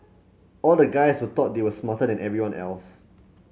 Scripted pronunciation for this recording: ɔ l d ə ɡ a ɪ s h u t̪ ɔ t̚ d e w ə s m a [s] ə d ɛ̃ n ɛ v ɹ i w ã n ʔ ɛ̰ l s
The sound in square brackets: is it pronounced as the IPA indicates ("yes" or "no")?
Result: no